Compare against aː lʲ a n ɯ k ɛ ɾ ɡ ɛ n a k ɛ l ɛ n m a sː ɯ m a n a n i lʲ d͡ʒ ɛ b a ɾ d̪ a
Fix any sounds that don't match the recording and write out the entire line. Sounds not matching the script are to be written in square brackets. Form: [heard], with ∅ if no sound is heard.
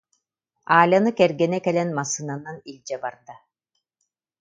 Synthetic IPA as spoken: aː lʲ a n ɯ k ɛ ɾ ɡ ɛ n [ɛ] k ɛ l ɛ n m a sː ɯ [n] a n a n i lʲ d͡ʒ ɛ b a ɾ d̪ a

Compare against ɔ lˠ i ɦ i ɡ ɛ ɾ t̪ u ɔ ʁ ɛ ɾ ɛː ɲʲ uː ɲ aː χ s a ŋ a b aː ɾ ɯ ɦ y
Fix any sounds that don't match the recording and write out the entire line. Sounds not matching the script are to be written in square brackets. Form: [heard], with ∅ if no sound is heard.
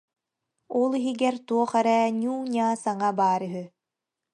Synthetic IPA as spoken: ɔ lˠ i ɦ i ɡ ɛ ɾ t̪ u ɔ [χ] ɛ ɾ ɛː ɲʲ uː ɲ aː [∅] s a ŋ a b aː ɾ ɯ ɦ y

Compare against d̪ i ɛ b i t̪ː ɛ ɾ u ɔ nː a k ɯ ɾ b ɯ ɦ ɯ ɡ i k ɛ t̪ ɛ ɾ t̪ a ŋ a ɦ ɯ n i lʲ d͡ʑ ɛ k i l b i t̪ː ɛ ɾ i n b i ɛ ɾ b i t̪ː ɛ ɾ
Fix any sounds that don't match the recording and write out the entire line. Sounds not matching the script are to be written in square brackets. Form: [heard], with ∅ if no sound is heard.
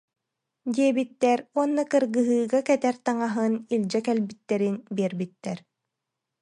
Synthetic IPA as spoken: d̪ i ɛ b i t̪ː ɛ ɾ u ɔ nː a k ɯ ɾ [ɡ] ɯ ɦ [ɯː] ɡ [a] k ɛ t̪ ɛ ɾ t̪ a ŋ a ɦ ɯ n i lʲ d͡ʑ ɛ k [ɛ] l b i t̪ː ɛ ɾ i n b i ɛ ɾ b i t̪ː ɛ ɾ

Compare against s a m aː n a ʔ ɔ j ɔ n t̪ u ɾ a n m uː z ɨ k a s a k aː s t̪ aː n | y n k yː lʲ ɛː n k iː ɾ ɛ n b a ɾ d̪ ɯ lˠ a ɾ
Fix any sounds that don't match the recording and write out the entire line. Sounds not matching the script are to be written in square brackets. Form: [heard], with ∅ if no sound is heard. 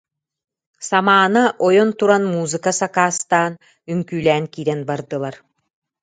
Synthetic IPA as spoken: s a m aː n a ʔ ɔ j ɔ n t̪ u ɾ a n m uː z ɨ k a s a k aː s t̪ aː n | y [ŋ] k yː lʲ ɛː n k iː ɾ ɛ n b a ɾ d̪ ɯ lˠ a ɾ

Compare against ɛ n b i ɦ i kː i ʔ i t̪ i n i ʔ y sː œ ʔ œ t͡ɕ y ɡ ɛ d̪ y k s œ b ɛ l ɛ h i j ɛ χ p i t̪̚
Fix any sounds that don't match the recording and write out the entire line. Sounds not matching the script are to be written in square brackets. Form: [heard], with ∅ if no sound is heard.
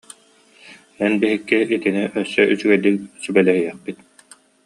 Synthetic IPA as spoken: ɛ n b i ɦ i kː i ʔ i t̪ i n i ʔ [œ] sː œ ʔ [y] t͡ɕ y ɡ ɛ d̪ [i] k s [y] b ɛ l ɛ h i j ɛ χ p i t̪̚

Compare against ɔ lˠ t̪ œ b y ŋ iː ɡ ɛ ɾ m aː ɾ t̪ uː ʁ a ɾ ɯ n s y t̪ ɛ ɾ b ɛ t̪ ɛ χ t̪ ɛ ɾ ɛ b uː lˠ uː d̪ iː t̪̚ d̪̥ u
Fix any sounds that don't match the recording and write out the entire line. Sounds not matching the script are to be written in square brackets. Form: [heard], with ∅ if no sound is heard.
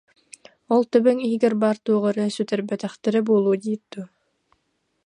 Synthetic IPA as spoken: ɔ lˠ t̪ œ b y ŋ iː ɡ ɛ ɾ [b] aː ɾ t̪ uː ʁ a ɾ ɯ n s y t̪ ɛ ɾ b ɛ t̪ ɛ χ t̪ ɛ ɾ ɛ b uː lˠ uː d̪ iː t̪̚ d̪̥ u

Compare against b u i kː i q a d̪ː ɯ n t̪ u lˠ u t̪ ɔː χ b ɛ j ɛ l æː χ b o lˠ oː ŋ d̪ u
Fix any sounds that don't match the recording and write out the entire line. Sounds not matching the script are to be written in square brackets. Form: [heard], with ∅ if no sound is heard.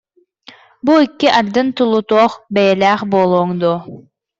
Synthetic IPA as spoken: b u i kː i [ʔ] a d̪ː ɯ n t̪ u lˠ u t̪ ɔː χ b ɛ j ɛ l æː χ b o lˠ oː ŋ d̪ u

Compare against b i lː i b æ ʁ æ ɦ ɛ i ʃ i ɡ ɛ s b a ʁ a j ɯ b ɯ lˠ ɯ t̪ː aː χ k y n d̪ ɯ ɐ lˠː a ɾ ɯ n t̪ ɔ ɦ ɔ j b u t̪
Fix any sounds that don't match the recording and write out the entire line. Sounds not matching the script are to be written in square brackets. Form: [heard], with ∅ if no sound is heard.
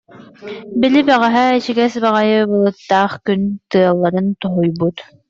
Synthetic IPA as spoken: b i [l] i b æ ʁ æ ɦ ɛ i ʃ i ɡ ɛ s b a ʁ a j ɯ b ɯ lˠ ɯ t̪ː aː χ k y n [t̪] ɯ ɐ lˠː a ɾ ɯ n t̪ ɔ ɦ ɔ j b u t̪

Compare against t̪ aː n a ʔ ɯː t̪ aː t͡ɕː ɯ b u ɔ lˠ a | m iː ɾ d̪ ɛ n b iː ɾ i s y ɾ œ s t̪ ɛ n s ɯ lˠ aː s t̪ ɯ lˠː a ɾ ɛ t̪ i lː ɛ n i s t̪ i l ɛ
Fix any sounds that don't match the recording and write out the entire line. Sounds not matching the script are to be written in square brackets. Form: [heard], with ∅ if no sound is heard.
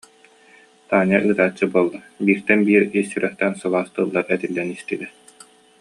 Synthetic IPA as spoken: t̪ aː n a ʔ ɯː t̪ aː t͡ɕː ɯ b u ɔ [lˠː] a | [b] iː ɾ [t̪] ɛ n b iː ɾ i s y ɾ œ [χ] t̪ ɛ n s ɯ lˠ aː s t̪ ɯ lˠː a ɾ ɛ t̪ i lː ɛ n i s t̪ i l ɛ

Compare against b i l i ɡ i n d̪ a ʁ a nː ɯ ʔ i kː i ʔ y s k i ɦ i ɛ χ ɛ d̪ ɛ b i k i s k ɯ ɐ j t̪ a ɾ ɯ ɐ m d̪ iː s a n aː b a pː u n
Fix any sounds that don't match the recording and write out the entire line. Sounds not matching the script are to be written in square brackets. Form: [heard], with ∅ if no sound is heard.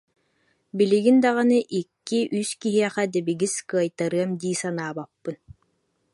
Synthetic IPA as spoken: b i l i ɡ i n d̪ a ʁ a [n] ɯ ʔ i kː i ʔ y s k i ɦ i ɛ χ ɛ d̪ ɛ b i [ɡ] i s k ɯ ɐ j t̪ a ɾ ɯ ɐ m d̪ iː s a n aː b a pː [ɯ] n

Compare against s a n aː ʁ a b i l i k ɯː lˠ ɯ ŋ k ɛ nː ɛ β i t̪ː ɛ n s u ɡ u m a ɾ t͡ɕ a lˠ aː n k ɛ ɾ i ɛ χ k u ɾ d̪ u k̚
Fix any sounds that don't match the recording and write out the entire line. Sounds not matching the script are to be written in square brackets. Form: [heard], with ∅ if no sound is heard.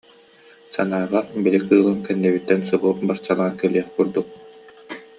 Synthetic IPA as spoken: s a n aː ʁ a b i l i k ɯː lˠ ɯ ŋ k ɛ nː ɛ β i t̪ː ɛ n s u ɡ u [b] a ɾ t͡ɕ a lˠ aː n k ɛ [l] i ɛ χ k u ɾ d̪ u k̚

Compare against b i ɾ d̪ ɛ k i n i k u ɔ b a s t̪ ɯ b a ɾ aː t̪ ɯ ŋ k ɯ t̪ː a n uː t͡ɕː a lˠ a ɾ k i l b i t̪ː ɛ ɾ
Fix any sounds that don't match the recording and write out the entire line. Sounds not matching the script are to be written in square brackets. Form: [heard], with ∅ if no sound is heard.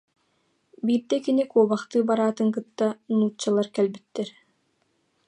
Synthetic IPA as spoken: b [iː] ɾ d̪ ɛ k i n i k u ɔ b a [χ] t̪ [ɯː] b a ɾ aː t̪ ɯ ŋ k ɯ t̪ː a n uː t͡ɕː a lˠ a ɾ k [ɛ] l b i t̪ː ɛ ɾ

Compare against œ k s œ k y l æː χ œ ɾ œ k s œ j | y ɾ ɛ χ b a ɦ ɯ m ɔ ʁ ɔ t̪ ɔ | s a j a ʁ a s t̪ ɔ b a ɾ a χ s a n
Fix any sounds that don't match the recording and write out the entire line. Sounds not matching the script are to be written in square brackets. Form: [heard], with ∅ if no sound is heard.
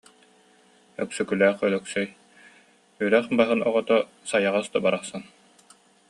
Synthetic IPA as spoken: œ k s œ k y l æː χ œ [l] œ k s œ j | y ɾ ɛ χ b a ɦ ɯ [n] ɔ ʁ ɔ t̪ ɔ | s a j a ʁ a s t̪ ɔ b a ɾ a χ s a n

